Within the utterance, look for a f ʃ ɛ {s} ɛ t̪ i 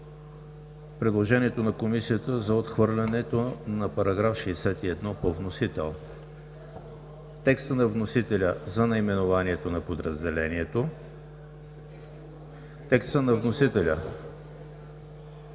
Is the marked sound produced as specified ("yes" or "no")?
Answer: yes